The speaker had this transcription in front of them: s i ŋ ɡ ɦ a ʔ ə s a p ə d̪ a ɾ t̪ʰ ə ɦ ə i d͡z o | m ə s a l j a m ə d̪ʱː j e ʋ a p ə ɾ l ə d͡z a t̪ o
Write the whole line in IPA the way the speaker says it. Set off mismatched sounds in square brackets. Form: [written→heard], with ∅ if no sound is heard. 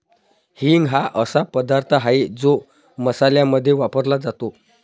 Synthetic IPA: [s→h] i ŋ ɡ ɦ a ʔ ə s a p ə d̪ a ɾ t̪ʰ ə ɦ [ə→a] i d͡z o | m ə s a l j a m ə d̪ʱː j e ʋ a p ə ɾ l [ə→a] d͡z a t̪ o